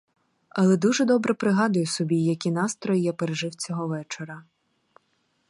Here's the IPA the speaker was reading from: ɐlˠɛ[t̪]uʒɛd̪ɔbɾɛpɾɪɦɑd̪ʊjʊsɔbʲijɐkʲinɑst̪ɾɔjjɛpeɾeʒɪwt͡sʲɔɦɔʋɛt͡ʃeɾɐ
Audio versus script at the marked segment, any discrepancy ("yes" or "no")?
yes